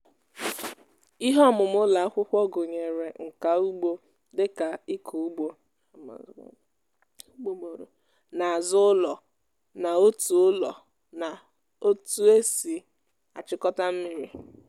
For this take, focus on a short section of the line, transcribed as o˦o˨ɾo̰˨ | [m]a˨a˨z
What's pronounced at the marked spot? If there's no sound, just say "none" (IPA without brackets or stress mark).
n